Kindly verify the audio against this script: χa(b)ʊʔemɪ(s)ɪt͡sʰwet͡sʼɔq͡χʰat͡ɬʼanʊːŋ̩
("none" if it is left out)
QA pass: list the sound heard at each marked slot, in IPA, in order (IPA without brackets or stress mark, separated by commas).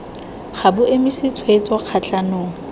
b, s